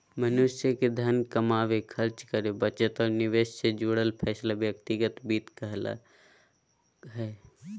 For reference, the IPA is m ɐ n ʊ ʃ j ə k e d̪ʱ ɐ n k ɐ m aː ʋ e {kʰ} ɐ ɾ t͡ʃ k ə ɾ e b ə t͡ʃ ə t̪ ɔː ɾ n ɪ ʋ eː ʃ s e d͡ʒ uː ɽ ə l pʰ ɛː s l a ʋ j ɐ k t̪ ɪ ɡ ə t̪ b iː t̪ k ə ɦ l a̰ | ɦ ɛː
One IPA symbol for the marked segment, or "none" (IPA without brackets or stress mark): kʰ